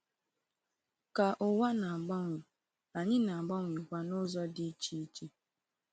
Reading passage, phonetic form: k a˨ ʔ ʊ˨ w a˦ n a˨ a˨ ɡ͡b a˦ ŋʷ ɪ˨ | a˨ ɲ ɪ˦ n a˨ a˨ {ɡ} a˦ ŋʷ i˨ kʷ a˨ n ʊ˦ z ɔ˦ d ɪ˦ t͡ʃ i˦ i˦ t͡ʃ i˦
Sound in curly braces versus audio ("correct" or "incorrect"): incorrect